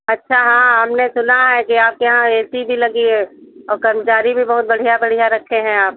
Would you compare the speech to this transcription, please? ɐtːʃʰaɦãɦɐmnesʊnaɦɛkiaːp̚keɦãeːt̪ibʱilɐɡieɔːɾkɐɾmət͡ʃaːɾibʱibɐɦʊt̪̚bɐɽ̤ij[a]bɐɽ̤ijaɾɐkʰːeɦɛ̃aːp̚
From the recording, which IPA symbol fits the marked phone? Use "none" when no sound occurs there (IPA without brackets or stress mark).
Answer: a